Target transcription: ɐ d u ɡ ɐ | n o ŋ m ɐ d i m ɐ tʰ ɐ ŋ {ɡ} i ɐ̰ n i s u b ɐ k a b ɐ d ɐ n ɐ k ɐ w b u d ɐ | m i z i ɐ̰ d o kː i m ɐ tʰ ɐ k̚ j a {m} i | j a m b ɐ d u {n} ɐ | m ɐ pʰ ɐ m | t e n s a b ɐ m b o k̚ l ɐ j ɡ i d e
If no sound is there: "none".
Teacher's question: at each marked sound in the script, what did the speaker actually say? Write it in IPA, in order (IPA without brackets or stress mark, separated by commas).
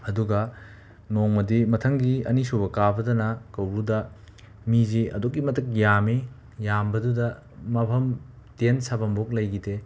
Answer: ɡ, m, d